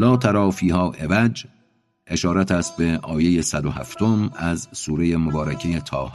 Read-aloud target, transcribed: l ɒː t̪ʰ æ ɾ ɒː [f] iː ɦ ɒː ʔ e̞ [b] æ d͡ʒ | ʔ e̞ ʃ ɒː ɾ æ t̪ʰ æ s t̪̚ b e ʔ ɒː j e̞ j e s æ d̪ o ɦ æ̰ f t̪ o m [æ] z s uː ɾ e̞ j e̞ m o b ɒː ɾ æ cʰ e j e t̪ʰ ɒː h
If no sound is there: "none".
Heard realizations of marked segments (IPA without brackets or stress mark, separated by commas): f, v, æ